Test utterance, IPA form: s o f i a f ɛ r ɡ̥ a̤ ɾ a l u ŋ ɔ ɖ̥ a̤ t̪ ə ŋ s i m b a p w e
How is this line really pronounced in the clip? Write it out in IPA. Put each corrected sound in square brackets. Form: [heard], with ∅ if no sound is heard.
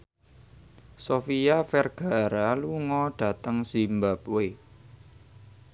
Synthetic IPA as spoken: s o f i a f ɛ r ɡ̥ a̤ ɾ a l u ŋ ɔ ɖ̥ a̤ t̪ ə ŋ s i m b a p w e